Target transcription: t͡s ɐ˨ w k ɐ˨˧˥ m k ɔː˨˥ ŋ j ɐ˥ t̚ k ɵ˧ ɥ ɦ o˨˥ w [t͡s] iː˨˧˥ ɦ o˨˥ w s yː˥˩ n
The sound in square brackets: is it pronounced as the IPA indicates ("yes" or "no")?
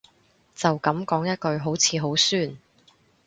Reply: no